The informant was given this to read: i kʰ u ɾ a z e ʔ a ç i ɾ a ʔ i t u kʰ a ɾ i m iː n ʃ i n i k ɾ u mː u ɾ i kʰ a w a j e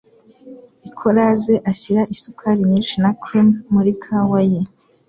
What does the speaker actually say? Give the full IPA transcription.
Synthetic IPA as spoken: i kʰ o ɾ a z e ʔ a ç i ɾ a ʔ i s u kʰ a ɾ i ɲ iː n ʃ i n a k ɾ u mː u ɾ i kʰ a w a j e